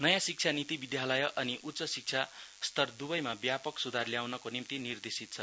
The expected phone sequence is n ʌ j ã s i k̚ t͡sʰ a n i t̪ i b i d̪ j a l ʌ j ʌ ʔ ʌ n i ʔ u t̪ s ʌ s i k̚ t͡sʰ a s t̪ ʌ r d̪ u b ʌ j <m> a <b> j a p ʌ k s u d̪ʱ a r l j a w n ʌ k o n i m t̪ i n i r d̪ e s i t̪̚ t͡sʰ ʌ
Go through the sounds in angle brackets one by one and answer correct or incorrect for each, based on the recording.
correct, correct

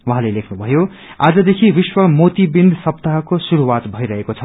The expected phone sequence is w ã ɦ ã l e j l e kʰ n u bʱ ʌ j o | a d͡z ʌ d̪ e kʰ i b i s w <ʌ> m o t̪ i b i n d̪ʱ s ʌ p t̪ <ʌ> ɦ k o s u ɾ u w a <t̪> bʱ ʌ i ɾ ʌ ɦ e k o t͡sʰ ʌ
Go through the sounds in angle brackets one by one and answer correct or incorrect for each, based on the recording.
correct, incorrect, correct

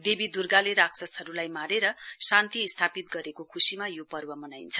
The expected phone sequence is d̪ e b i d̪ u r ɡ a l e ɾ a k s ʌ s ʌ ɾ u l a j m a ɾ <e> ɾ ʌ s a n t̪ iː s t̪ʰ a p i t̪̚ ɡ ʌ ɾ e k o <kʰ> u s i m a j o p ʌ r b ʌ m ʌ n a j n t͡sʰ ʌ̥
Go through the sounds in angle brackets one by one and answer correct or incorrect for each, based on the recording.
correct, correct

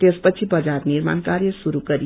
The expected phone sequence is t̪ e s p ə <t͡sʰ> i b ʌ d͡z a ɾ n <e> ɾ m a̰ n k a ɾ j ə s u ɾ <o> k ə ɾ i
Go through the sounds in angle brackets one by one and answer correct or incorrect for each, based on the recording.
correct, incorrect, incorrect

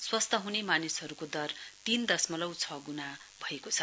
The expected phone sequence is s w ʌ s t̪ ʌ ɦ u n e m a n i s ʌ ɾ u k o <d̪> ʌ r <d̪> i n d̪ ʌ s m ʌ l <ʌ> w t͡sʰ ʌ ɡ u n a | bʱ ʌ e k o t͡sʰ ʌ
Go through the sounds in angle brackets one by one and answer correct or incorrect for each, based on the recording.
correct, incorrect, correct

